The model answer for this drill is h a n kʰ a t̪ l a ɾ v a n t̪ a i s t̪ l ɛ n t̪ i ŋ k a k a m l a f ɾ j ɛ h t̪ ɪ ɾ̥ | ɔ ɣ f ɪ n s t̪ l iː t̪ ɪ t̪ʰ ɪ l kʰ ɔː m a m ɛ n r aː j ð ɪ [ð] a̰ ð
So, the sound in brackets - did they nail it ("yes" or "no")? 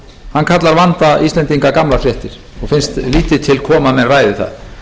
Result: no